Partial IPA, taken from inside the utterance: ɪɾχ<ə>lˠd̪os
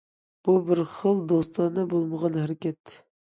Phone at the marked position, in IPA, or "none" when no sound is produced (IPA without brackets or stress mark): ə